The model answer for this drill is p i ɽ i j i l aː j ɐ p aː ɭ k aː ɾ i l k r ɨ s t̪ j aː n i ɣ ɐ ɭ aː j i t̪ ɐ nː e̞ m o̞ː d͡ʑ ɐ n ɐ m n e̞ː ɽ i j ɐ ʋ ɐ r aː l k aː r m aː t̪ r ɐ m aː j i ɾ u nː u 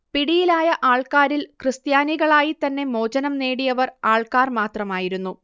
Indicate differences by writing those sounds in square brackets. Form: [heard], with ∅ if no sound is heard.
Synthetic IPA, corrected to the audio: p i ɽ i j i l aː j ɐ [ʔ] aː ɭ k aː ɾ i l k r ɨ s t̪ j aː n i ɣ ɐ ɭ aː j i t̪ ɐ nː e̞ m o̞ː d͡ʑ ɐ n ɐ m n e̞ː ɽ i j ɐ ʋ ɐ r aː [ɭ] k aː r m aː t̪ r ɐ m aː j i ɾ u nː u

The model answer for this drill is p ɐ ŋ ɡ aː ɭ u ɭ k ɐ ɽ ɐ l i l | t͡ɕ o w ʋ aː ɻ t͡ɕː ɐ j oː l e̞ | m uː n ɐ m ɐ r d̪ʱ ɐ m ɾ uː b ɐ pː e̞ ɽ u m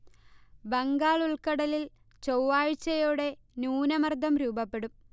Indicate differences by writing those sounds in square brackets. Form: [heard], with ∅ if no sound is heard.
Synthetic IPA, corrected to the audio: [b] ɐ ŋ ɡ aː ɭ u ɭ k ɐ ɽ ɐ l i l | t͡ɕ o w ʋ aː ɻ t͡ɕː ɐ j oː [ɽ] e̞ | [n] uː n ɐ m ɐ r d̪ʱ ɐ m ɾ uː b ɐ pː e̞ ɽ u m

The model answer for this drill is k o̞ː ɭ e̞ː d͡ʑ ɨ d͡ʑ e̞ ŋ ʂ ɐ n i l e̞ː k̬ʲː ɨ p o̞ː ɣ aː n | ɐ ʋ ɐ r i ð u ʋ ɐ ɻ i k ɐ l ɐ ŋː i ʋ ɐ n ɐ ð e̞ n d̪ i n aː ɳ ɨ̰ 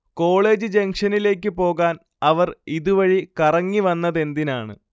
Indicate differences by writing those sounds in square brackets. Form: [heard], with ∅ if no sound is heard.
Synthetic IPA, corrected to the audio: k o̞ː ɭ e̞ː d͡ʑ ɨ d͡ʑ e̞ ŋ ʂ ɐ n i l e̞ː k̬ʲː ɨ p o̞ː ɣ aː n | ɐ ʋ ɐ r i ð u ʋ ɐ ɻ i k ɐ [r] ɐ ŋː i ʋ ɐ [nː] ɐ ð e̞ n d̪ i n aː ɳ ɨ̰

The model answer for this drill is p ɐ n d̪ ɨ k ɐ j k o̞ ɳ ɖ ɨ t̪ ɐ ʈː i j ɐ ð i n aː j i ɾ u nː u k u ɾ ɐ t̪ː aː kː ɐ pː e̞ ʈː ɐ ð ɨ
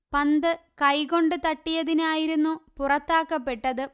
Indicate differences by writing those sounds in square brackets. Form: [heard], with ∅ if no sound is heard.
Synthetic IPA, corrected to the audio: p ɐ n d̪ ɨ k ɐ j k o̞ ɳ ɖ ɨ t̪ ɐ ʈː i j ɐ ð i n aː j i ɾ u nː u [p] u [r] ɐ t̪ː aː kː ɐ pː e̞ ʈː ɐ ð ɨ

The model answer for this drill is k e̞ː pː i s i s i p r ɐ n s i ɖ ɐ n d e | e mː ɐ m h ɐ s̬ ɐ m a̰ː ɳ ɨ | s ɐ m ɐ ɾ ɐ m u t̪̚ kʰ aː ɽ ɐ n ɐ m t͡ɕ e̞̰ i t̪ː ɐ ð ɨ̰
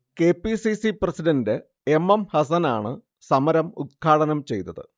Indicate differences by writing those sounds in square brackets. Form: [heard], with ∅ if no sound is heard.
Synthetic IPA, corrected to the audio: k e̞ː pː i s i s i p r ɐ [∅] s i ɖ ɐ n d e | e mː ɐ m h ɐ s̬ ɐ [n] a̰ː ɳ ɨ | s ɐ m ɐ ɾ ɐ m u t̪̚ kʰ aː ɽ ɐ n ɐ m t͡ɕ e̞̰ [j] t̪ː ɐ ð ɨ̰

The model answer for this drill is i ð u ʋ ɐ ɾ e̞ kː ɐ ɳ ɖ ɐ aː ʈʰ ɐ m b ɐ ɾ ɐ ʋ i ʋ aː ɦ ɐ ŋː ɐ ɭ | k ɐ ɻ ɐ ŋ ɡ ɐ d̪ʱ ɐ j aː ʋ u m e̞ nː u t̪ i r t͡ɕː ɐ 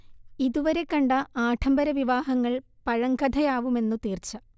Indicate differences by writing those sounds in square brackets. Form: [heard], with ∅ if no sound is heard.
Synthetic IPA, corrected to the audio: i ð u ʋ ɐ ɾ e̞ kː ɐ ɳ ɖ ɐ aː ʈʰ ɐ m b ɐ ɾ ɐ ʋ i ʋ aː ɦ ɐ ŋː ɐ ɭ | [p] ɐ ɻ ɐ ŋ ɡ ɐ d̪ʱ ɐ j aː ʋ u m e̞ nː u t̪ [iː] r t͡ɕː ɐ

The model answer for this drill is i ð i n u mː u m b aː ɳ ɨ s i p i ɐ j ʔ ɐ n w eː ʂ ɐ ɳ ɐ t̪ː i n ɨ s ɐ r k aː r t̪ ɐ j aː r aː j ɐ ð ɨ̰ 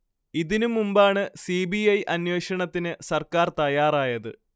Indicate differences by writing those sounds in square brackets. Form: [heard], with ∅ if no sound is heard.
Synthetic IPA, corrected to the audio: i ð i n u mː u m b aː ɳ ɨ s i [b] i ɐ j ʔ ɐ n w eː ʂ ɐ ɳ ɐ t̪ː i n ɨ s ɐ r k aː r t̪ ɐ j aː r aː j ɐ ð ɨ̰

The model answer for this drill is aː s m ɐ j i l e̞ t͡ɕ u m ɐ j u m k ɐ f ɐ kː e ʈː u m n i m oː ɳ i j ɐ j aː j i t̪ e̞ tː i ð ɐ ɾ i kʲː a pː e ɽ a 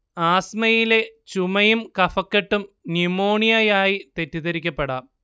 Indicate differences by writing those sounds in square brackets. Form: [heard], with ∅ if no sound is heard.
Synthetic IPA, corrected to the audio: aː s m ɐ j i l e̞ t͡ɕ u m ɐ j u m k ɐ f ɐ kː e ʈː u m n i m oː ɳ i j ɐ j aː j i t̪ e̞ tː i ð ɐ ɾ i kʲː [ɐ] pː e ɽ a

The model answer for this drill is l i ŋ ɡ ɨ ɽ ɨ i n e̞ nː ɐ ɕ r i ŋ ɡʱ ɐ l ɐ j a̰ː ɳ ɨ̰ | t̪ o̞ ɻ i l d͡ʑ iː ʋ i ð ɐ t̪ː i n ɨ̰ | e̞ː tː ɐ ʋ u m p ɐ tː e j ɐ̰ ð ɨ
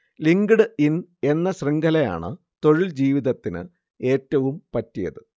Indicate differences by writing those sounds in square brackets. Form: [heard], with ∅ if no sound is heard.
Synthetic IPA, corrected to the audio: l i ŋ ɡ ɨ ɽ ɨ i n e̞ nː ɐ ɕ r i ŋ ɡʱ ɐ l ɐ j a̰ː ɳ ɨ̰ | t̪ o̞ ɻ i l d͡ʑ iː ʋ i ð ɐ t̪ː i n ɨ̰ | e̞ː tː ɐ ʋ u m p ɐ tː [i] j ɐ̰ ð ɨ

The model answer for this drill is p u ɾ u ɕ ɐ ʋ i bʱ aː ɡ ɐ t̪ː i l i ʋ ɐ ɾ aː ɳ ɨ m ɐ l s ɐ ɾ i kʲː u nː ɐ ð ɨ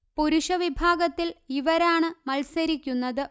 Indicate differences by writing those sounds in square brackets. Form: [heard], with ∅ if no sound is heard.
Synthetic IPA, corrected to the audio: p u ɾ u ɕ ɐ ʋ i bʱ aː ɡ ɐ t̪ː i l i ʋ ɐ ɾ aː ɳ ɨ m ɐ l s ɐ ɾ i kʲː u nː ɐ ð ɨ

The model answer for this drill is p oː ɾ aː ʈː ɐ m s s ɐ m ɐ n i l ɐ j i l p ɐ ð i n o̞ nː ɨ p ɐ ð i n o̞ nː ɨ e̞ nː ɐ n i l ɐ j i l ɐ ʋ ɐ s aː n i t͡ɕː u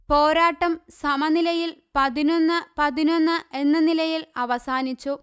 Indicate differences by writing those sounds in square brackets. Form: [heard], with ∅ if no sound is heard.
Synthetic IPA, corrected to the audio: p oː ɾ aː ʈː ɐ m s s ɐ m ɐ n i l ɐ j i l p ɐ ð i n o̞ nː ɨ p ɐ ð i n o̞ nː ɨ e̞ nː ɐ n i l ɐ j i l ɐ ʋ ɐ s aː n i t͡ɕː u

